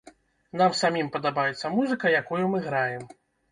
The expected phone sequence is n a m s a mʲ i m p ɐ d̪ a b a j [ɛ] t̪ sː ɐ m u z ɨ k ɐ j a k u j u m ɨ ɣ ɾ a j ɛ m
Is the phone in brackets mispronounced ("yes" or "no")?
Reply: no